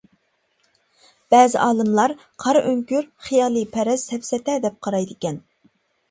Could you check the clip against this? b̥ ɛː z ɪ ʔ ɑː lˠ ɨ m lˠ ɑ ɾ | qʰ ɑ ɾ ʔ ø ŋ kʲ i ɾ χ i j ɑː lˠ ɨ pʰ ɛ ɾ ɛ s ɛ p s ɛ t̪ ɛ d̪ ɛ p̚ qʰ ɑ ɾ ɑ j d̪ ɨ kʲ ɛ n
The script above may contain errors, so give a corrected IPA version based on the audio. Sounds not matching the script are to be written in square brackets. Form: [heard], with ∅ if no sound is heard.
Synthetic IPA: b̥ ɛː z ɪ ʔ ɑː lˠ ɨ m lˠ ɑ ɾ | qʰ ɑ ɾ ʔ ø ŋ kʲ [y] ɾ χ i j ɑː lˠ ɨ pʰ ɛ ɾ ɛ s ɛ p s ɛ t̪ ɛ d̪ ɛ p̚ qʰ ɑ ɾ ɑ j d̪ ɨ kʲ ɛ n